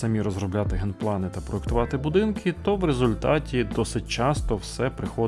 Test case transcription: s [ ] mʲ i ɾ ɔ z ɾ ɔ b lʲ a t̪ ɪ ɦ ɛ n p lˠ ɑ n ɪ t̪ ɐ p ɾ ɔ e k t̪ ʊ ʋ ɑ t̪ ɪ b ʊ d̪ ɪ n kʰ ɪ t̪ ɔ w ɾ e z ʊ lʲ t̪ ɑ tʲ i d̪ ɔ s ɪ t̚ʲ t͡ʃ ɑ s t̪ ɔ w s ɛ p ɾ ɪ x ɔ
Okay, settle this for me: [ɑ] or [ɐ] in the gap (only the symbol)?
ɐ